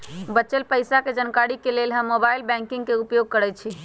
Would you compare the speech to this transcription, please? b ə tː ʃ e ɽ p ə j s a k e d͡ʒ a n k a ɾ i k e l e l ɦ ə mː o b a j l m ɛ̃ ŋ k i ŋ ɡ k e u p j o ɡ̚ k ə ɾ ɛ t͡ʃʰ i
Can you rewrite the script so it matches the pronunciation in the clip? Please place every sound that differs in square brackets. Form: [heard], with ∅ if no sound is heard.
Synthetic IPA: b ə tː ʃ e [l] p ə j s a k e d͡ʒ [ə] n k a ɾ i k e l e l ɦ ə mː o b a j l [b] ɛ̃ ŋ k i ŋ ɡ k e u p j o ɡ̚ k ə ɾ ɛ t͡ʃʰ i